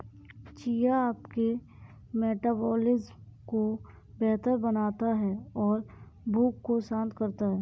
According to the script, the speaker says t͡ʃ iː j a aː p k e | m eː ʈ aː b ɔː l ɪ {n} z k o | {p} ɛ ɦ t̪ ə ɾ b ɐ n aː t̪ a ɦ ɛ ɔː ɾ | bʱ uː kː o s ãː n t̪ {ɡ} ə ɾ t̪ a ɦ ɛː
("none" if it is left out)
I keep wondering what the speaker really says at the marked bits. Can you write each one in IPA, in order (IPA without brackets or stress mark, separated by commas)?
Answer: none, b, k